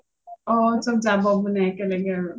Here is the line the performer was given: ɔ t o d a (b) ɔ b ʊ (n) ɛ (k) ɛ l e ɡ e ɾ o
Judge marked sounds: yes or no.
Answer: yes, yes, yes

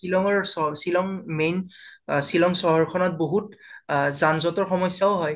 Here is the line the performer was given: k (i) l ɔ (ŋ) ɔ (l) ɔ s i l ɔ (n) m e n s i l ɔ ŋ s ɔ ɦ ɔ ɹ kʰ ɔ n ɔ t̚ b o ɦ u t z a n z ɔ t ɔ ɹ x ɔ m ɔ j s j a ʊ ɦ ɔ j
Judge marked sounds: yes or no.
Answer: yes, yes, no, no

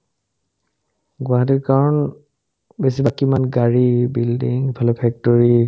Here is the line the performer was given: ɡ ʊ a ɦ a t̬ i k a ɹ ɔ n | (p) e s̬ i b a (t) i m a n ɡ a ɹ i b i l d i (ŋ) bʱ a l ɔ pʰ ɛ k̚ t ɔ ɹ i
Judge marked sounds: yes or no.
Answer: no, no, yes

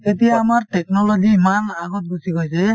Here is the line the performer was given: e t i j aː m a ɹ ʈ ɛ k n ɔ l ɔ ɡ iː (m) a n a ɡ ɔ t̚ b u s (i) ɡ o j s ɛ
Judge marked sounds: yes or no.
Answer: yes, yes

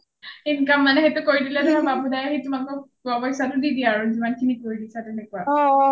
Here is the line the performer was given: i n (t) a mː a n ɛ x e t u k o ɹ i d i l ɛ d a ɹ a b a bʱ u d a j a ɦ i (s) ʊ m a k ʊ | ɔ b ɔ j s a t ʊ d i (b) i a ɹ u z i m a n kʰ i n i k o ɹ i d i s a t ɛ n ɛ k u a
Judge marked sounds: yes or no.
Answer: no, no, no

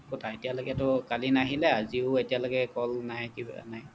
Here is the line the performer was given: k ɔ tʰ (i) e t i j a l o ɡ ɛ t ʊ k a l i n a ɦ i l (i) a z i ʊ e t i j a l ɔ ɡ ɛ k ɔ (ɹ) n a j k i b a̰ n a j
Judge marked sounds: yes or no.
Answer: no, no, no

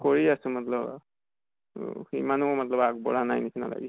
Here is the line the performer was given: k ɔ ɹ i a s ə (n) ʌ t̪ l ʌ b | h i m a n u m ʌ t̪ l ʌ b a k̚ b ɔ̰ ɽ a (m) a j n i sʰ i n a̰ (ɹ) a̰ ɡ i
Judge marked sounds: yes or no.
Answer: no, no, no

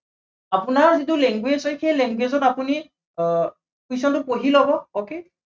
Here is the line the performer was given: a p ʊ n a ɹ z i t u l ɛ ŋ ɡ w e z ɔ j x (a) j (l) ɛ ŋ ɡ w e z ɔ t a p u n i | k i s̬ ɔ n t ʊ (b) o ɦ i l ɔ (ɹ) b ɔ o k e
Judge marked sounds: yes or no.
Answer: no, yes, no, no

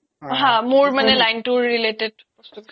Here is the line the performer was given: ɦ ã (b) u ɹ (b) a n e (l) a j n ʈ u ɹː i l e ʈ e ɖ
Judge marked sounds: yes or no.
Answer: no, no, yes

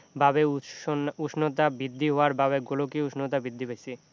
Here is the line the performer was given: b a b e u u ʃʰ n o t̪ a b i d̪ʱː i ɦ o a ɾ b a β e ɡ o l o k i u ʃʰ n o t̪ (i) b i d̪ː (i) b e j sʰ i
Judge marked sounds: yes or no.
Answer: no, yes

